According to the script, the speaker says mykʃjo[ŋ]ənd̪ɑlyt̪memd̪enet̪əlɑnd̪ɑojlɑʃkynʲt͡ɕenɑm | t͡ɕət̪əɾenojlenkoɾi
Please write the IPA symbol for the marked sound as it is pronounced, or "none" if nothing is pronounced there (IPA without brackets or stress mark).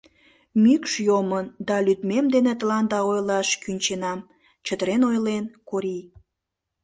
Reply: m